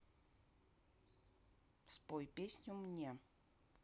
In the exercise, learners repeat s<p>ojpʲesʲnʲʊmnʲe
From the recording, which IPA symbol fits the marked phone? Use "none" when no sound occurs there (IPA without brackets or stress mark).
p